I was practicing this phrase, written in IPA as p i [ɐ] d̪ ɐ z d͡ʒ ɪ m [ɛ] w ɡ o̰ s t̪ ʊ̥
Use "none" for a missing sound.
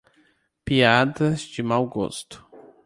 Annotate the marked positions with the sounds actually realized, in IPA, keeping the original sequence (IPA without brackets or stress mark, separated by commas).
a, a